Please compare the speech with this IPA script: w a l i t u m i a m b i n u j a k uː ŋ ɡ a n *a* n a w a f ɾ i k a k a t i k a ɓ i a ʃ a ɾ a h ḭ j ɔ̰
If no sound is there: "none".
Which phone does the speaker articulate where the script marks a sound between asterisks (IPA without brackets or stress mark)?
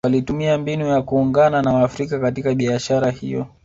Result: a